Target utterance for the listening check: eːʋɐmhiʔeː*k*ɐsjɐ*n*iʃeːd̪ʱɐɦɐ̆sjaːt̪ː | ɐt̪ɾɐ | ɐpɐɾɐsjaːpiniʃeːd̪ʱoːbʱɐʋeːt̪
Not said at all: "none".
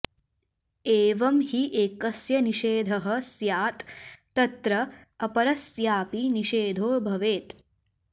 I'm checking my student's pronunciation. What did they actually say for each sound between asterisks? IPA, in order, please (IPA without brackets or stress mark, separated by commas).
k, n